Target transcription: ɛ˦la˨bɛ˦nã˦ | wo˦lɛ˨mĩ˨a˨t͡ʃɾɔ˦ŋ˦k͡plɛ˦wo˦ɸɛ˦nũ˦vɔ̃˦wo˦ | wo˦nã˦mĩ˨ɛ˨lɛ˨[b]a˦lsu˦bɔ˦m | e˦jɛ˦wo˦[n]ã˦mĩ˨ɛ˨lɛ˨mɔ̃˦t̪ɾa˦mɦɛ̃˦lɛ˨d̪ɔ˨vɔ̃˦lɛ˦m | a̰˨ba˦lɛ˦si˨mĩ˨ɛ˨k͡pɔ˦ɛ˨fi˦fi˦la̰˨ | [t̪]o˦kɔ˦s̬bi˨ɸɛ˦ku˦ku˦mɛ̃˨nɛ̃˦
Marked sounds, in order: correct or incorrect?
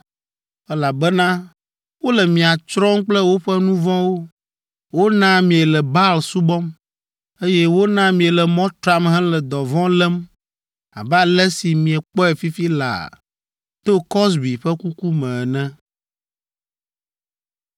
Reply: correct, correct, correct

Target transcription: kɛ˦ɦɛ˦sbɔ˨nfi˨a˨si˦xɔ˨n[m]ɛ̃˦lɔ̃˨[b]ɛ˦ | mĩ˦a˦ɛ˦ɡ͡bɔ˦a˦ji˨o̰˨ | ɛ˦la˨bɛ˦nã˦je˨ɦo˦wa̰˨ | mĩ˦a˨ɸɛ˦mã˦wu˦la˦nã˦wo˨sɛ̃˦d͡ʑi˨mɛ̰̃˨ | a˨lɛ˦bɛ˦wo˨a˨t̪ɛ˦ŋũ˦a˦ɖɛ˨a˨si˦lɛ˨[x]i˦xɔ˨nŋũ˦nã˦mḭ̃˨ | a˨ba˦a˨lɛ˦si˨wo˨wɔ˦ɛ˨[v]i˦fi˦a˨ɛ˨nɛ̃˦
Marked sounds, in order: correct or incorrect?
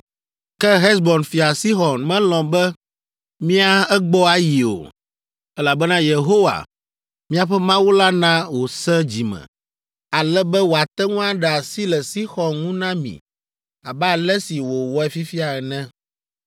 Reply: correct, correct, incorrect, incorrect

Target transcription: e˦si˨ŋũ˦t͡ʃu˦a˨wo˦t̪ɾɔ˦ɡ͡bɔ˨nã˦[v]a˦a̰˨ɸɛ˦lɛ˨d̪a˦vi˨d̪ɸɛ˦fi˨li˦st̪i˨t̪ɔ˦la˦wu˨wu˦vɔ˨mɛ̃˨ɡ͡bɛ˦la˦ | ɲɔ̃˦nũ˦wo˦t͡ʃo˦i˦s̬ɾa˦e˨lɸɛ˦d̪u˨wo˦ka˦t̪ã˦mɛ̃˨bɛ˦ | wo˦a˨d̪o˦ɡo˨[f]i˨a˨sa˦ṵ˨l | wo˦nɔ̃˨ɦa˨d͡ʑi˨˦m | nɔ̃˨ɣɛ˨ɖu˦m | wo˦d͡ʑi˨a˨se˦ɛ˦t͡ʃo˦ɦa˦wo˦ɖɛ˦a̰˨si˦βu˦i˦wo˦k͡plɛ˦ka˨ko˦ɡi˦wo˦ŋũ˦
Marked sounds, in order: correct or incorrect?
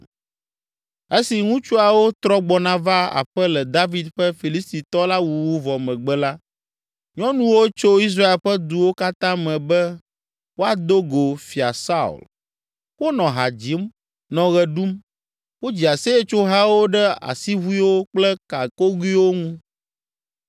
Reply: correct, correct

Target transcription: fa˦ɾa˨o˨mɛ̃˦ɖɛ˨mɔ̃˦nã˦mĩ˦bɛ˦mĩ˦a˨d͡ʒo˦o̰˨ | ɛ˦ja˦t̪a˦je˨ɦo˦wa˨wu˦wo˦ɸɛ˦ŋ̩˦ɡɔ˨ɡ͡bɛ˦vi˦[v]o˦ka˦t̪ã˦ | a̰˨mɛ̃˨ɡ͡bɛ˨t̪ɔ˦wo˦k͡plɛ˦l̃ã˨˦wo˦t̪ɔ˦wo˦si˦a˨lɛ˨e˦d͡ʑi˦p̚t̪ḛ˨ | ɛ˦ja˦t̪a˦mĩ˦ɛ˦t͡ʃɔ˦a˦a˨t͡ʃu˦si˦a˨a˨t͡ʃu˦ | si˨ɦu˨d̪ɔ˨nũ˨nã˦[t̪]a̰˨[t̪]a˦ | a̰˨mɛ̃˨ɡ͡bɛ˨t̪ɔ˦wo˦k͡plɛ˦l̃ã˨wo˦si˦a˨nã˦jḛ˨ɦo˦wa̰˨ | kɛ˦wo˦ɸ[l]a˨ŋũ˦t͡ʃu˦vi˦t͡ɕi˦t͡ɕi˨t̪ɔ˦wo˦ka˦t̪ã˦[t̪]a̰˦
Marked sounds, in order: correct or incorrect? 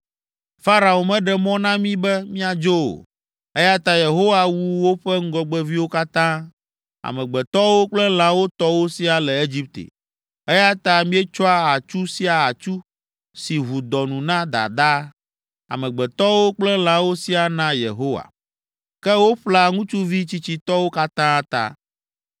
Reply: incorrect, incorrect, incorrect, correct, correct

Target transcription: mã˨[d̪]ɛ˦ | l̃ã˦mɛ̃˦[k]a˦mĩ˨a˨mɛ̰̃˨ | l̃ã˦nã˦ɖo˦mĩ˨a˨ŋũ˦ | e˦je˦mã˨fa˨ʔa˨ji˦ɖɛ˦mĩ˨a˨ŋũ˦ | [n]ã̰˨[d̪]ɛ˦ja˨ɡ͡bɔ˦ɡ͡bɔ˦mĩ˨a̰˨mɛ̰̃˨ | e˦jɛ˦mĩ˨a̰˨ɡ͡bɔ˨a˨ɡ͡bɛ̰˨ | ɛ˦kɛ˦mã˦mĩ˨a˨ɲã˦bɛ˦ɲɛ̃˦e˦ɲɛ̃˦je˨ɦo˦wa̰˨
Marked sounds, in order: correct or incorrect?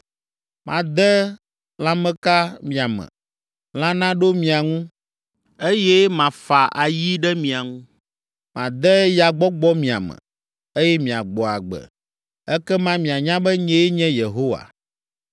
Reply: correct, correct, incorrect, correct

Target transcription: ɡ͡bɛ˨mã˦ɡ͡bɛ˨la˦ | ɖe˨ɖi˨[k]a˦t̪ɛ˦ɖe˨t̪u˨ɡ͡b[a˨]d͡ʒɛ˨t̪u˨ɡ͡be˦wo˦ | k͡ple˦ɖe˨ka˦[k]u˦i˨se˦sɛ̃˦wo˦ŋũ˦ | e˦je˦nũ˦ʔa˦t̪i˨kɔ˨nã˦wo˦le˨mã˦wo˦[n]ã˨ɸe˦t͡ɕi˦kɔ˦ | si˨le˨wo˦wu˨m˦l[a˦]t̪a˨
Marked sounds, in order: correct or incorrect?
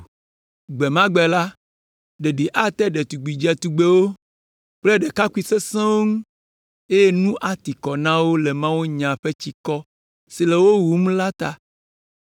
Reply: incorrect, incorrect, correct, incorrect, correct

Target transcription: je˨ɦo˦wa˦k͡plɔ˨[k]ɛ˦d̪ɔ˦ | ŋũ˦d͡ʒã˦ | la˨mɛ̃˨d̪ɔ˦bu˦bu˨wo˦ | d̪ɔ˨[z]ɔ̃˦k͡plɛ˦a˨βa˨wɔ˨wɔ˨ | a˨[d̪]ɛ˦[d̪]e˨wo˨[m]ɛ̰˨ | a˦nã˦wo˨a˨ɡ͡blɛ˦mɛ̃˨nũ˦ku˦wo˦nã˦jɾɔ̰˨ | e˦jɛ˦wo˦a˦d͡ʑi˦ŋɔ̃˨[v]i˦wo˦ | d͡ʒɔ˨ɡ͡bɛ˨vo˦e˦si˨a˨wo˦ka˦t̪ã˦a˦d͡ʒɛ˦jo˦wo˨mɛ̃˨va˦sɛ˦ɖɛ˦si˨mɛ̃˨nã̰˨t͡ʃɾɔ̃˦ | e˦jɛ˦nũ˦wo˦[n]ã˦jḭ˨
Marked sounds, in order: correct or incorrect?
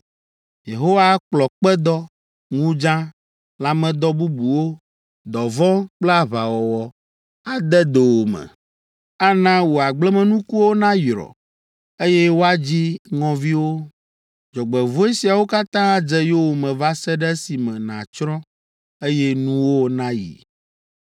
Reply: incorrect, incorrect, correct, correct, correct, correct, correct

